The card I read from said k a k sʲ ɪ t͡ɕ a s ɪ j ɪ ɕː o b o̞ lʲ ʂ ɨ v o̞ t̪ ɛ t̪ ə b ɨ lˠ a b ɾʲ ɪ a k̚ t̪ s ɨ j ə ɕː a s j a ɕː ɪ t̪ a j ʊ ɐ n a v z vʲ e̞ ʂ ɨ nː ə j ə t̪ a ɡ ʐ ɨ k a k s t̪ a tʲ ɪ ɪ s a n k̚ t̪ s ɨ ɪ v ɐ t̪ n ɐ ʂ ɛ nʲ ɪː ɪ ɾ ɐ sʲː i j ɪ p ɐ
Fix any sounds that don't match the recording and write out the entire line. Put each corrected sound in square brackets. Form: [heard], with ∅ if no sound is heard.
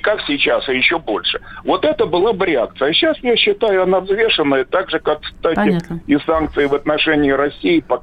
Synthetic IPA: k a k sʲ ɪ t͡ɕ a s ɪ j ɪ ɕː o b o̞ lʲ ʂ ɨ v o̞ t̪ ɛ t̪ ə b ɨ lˠ a b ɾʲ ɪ a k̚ t̪ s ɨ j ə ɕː a s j a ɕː ɪ t̪ a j ʊ ɐ n a v z vʲ e̞ ʂ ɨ nː ə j ə t̪ a ɡ ʐ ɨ k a k s t̪ a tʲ ɪ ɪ s a n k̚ t̪ s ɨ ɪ v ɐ t̪ n ɐ ʂ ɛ nʲ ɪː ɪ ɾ ɐ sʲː i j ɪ p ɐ